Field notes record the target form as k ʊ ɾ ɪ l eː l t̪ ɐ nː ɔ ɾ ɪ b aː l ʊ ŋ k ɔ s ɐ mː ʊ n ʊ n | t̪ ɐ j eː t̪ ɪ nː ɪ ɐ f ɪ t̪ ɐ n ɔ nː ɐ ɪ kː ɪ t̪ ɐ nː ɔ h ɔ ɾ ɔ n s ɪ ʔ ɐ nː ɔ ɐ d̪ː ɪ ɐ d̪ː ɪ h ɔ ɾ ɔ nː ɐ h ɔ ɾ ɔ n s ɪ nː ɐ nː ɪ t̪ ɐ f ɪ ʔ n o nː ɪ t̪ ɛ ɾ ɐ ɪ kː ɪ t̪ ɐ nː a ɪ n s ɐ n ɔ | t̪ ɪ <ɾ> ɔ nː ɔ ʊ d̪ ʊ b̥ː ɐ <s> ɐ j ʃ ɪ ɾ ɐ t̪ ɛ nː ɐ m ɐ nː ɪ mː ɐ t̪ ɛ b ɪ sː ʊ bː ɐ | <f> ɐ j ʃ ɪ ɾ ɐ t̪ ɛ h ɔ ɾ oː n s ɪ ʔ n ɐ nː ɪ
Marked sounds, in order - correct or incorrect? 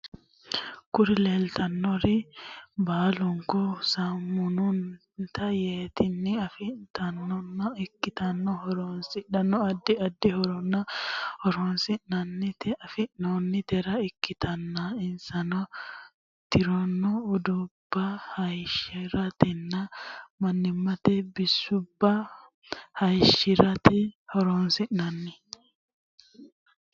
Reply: correct, incorrect, incorrect

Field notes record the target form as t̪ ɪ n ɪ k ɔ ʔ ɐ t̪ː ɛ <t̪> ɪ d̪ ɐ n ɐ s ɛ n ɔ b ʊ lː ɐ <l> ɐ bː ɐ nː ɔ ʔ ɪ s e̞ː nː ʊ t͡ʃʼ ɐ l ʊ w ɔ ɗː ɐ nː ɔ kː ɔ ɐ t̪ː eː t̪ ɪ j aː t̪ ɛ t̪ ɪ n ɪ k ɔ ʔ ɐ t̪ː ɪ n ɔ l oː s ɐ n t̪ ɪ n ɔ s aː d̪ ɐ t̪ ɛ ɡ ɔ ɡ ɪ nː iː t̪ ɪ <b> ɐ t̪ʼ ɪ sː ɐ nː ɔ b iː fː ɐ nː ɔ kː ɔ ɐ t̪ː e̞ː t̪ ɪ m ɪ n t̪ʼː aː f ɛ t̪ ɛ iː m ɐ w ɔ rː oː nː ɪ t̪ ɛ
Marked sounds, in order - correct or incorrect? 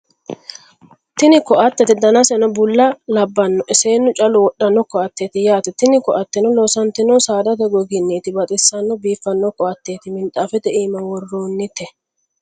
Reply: correct, correct, correct

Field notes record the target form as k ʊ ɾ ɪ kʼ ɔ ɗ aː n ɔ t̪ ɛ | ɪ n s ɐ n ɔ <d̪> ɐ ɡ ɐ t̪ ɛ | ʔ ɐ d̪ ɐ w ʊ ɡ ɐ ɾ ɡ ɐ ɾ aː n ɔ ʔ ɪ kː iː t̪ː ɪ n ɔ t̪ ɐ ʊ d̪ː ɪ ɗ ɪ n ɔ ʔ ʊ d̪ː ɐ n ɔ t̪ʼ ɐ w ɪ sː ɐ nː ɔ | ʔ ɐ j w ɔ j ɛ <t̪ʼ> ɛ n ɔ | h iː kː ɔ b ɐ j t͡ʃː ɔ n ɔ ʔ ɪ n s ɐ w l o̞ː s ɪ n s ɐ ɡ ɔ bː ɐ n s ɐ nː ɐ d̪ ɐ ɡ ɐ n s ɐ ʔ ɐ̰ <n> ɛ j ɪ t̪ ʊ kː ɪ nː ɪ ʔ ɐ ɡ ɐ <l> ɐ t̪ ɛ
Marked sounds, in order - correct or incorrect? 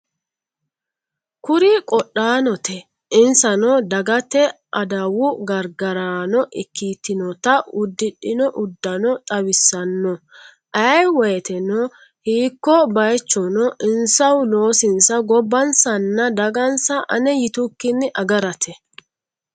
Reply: correct, incorrect, correct, incorrect

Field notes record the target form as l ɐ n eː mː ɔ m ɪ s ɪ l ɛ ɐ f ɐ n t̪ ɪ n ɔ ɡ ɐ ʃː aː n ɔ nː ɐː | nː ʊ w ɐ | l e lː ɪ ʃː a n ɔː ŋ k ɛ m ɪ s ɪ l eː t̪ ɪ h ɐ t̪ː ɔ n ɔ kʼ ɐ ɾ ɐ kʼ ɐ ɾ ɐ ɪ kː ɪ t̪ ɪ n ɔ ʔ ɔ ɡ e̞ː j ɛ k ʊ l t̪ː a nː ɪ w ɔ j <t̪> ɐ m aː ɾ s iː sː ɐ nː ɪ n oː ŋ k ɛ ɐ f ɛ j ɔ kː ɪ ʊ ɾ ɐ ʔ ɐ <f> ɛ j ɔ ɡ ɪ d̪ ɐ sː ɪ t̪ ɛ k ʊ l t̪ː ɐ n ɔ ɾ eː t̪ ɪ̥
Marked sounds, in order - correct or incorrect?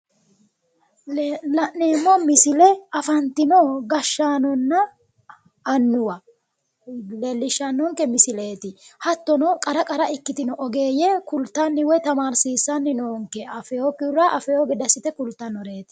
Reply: correct, correct

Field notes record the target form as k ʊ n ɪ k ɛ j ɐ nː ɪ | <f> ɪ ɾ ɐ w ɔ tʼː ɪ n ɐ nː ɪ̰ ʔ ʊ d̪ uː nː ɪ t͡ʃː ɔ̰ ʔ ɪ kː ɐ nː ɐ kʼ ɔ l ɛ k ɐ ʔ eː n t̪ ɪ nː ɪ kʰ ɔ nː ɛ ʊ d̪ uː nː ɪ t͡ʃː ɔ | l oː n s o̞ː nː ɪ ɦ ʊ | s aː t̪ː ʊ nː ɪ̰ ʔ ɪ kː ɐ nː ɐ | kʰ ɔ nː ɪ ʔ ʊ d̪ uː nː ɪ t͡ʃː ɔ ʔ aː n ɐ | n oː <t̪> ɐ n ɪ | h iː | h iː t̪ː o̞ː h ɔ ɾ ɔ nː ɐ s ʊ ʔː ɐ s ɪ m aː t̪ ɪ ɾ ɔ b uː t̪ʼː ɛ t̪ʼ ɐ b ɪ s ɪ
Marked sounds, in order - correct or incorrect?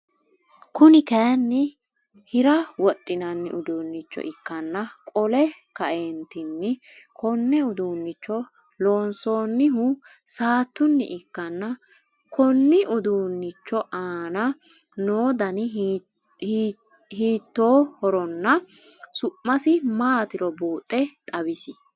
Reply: incorrect, incorrect

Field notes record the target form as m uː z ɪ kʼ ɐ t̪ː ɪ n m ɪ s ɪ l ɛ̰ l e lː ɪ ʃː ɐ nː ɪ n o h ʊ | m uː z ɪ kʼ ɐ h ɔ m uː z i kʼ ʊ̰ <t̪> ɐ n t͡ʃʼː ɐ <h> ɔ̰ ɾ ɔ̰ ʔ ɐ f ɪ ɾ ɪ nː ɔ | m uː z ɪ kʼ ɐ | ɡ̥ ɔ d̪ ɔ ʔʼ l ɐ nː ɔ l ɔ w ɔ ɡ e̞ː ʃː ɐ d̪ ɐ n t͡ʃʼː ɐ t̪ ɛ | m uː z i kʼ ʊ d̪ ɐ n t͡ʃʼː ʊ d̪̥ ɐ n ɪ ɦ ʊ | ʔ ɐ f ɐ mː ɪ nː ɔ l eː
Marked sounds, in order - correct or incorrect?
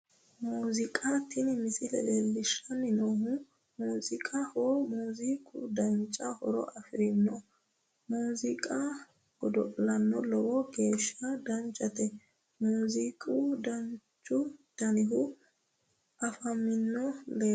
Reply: incorrect, correct

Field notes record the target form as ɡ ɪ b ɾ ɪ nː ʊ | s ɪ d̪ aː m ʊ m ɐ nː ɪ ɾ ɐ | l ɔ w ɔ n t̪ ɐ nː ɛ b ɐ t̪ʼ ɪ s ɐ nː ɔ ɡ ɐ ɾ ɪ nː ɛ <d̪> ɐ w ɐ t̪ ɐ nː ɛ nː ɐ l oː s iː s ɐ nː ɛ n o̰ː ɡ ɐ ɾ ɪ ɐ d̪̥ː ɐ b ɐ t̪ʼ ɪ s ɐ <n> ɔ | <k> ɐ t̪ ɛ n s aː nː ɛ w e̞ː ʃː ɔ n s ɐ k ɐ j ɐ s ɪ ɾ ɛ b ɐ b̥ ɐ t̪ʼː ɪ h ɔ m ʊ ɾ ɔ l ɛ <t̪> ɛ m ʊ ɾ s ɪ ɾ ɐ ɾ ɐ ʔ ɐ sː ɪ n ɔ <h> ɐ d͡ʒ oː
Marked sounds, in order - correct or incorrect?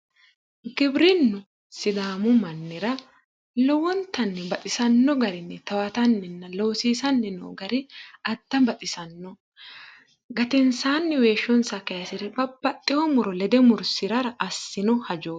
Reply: incorrect, incorrect, incorrect, incorrect, correct

